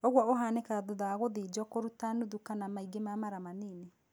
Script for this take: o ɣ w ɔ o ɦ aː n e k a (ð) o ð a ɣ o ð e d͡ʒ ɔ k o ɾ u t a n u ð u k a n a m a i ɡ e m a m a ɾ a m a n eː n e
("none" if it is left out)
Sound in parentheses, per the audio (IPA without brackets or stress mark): ð